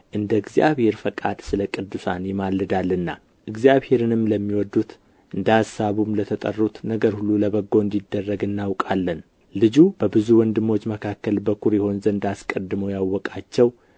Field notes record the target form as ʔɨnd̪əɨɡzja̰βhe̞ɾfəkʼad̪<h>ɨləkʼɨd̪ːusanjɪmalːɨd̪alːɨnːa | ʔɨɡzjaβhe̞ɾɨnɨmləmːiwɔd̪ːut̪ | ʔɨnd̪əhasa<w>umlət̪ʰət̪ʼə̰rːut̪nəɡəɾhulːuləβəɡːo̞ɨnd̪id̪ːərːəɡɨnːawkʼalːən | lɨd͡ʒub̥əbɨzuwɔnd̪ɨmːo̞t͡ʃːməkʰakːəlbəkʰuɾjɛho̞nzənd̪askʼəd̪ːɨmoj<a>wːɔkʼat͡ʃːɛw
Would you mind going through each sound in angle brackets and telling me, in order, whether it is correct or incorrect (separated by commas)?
incorrect, incorrect, correct